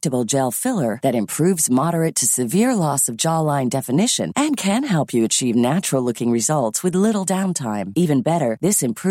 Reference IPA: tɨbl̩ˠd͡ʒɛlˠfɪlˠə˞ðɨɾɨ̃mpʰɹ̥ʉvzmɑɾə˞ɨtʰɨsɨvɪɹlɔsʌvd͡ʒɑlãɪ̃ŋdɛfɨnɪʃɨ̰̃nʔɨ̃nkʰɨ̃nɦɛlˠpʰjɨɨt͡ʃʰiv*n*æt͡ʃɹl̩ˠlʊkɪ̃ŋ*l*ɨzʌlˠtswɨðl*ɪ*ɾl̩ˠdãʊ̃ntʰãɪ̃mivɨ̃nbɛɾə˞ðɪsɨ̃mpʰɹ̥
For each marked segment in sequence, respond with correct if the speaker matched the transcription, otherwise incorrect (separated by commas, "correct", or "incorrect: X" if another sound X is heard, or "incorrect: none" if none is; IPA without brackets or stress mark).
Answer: correct, incorrect: ɹ, correct